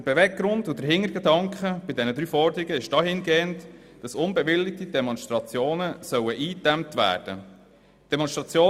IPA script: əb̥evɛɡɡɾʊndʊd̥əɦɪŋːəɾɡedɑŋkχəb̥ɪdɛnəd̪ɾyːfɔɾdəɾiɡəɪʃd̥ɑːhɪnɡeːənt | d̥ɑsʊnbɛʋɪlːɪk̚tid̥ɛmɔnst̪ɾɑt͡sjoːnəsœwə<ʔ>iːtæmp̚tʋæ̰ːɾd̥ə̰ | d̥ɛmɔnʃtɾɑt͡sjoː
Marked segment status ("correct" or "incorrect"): correct